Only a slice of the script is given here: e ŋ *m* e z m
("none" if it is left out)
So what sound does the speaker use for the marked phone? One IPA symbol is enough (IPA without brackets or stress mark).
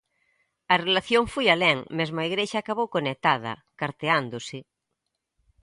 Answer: m